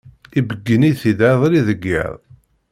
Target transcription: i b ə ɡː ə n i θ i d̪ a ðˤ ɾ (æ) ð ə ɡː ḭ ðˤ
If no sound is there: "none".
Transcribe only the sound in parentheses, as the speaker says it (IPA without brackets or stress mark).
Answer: i